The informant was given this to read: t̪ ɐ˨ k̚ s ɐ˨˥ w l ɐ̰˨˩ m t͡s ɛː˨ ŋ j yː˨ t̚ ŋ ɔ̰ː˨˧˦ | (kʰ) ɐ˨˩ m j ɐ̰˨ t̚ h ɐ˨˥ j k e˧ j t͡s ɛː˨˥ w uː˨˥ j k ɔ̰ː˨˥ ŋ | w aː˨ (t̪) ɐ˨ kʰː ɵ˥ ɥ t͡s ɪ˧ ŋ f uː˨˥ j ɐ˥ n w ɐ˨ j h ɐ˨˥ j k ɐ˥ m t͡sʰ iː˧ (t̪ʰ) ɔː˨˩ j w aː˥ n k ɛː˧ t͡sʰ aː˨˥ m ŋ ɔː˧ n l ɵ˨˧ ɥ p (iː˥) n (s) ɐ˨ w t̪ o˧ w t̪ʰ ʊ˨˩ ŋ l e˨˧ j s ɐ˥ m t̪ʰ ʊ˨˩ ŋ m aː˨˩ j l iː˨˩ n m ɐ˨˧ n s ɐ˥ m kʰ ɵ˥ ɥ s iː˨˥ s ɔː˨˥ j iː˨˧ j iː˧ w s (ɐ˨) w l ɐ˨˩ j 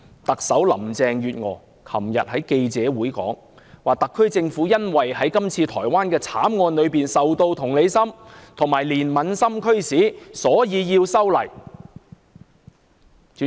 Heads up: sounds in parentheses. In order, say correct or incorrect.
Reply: correct, correct, correct, incorrect: iː˨˩, correct, incorrect: ɐ˥

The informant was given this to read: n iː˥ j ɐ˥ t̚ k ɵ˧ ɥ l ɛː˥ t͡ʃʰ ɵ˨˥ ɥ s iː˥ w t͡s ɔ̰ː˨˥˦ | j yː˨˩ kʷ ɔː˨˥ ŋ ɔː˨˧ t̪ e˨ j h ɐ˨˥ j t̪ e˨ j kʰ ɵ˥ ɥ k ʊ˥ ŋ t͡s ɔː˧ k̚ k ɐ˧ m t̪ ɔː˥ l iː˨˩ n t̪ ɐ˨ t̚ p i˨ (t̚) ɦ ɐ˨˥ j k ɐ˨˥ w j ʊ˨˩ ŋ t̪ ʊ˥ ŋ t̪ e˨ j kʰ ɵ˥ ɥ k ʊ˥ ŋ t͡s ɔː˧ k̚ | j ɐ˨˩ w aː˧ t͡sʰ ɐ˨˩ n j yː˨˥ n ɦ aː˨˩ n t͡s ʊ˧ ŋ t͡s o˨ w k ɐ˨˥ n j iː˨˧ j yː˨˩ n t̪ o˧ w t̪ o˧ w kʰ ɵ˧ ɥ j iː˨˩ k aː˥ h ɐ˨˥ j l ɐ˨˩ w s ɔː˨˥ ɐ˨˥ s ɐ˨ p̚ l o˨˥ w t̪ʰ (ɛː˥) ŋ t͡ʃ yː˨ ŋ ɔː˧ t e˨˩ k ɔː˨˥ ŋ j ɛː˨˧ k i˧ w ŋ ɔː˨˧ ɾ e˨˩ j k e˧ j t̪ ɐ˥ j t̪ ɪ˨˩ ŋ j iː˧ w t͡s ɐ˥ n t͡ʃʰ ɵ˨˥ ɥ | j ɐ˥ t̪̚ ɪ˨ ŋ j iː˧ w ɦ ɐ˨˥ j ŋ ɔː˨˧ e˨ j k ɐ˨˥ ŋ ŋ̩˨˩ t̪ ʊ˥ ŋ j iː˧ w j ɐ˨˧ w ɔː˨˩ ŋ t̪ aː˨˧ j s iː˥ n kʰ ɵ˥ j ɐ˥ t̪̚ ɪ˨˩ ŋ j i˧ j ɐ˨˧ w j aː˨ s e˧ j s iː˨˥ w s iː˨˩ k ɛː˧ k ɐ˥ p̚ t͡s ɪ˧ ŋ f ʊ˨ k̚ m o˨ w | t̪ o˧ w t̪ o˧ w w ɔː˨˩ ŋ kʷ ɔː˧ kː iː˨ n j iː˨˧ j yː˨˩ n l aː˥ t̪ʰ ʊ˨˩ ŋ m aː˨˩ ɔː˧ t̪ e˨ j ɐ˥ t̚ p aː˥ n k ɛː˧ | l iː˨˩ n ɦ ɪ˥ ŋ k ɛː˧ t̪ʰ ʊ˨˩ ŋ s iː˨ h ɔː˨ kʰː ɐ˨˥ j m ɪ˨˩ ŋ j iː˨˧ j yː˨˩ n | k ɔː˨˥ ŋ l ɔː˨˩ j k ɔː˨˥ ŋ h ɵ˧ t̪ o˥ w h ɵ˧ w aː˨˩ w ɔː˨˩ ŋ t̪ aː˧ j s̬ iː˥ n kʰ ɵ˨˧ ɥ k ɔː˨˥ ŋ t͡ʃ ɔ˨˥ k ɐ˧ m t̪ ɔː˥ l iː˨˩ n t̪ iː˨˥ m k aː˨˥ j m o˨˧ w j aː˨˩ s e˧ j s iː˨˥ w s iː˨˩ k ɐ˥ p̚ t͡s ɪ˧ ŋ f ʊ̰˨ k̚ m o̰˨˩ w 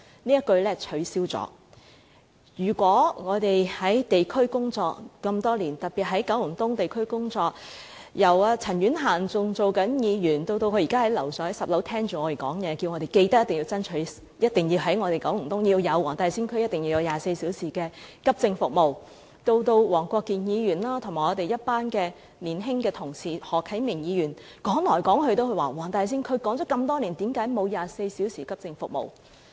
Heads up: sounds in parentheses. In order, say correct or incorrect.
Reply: correct, correct

